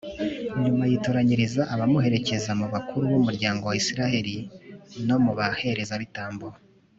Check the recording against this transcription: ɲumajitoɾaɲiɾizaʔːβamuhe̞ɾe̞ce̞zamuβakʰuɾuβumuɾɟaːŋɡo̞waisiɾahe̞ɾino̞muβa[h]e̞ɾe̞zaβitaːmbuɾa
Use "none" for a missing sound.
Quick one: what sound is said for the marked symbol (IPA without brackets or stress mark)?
h